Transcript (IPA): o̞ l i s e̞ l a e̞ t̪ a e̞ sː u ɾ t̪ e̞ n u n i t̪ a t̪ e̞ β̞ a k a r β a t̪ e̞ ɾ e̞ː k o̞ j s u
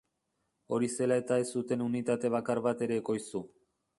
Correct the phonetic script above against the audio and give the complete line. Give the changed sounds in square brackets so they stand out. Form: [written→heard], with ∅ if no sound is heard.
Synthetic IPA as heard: o̞ [l→ɾ] i s e̞ l a e̞ t̪ a e̞ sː u [ɾ→∅] t̪ e̞ n u n i t̪ a t̪ e̞ β̞ a k a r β a t̪ e̞ ɾ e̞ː k o̞ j s u

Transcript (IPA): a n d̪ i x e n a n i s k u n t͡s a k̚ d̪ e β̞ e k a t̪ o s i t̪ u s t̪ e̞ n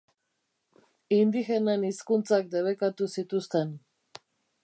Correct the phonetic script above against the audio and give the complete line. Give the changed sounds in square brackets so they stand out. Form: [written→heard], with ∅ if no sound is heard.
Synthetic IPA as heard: [a→i] n d̪ i x e n [a→e] n i s k u n t͡s a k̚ d̪ e β̞ e k a t̪ [o→u] s i t̪ u s t̪ e̞ n

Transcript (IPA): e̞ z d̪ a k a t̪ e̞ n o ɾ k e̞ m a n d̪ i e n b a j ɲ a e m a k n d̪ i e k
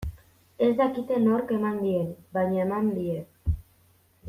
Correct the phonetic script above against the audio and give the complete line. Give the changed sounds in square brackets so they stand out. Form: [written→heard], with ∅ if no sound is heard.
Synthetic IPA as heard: e̞ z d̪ a k [a→i] t̪ e̞ n o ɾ k e̞ m a n d̪ i e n b a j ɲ a e m a [k→∅] n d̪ i e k

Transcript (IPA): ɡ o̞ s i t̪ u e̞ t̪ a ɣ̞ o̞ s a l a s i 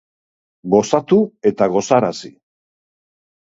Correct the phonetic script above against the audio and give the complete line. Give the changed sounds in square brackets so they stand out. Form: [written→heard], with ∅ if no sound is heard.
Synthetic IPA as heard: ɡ o̞ s [i→a] t̪ u e̞ t̪ a ɣ̞ o̞ s a [l→ɾ] a s i

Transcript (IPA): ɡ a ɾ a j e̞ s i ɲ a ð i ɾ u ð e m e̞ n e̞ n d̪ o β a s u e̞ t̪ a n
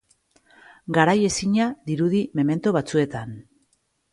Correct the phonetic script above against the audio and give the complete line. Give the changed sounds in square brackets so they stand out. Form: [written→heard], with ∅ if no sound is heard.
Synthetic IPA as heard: ɡ a ɾ a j e̞ s i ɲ a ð i ɾ u ð [e→i] m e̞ [n→m] e̞ n [d̪→t̪] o β a [s→t͡s] u e̞ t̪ a n

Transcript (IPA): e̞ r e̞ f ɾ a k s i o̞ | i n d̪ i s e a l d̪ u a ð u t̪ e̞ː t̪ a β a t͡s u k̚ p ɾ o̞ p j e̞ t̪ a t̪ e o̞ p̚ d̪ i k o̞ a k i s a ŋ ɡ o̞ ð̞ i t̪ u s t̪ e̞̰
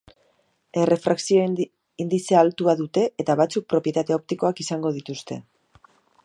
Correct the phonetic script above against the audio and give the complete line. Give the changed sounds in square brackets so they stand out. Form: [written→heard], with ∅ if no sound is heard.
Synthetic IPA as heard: e̞ r e̞ f ɾ a k s i o̞ | i n d̪ i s e a l [d̪→t̪] u a ð u t̪ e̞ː t̪ a β a t͡s u k̚ p ɾ o̞ p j e̞ t̪ a t̪ e o̞ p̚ [d̪→t̪] i k o̞ a k i s a ŋ ɡ o̞ ð̞ i t̪ u s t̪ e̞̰

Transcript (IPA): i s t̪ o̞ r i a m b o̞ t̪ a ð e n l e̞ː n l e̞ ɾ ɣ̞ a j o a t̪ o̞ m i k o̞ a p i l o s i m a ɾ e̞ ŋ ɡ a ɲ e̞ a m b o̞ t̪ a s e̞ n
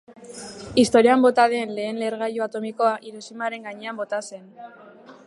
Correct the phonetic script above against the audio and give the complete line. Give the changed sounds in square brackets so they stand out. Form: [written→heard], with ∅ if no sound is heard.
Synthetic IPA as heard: i s t̪ o̞ [r→ɾ] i a m b o̞ t̪ a ð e n l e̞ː n l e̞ ɾ ɣ̞ a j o a t̪ o̞ m i k o̞ a [p→ʔ] i [l→ɾ] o s i m a ɾ e̞ ŋ ɡ a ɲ e̞ a m b o̞ t̪ a s e̞ n

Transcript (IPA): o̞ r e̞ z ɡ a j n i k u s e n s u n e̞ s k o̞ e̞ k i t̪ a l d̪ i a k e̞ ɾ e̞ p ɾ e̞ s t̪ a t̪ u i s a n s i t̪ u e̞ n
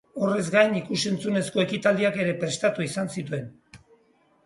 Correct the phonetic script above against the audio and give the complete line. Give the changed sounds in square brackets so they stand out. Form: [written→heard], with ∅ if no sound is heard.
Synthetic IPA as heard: o̞ r e̞ z ɡ a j n i k u s e n [s→t͡s] u n e̞ s k o̞ e̞ k i t̪ a l d̪ i a k e̞ ɾ e̞ p ɾ e̞ s t̪ a t̪ u i s a n s i t̪ u e̞ n

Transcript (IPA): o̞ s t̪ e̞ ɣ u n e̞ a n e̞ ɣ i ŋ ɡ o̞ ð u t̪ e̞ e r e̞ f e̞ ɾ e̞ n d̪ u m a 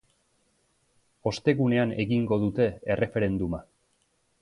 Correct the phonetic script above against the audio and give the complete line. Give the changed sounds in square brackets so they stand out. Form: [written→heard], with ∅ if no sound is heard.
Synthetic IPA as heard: o̞ s t̪ e̞ ɣ u n e̞ a n e̞ ɣ i ŋ ɡ o̞ ð u t̪ e̞ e r e̞ f e̞ ɾ e̞ n d̪ u m a

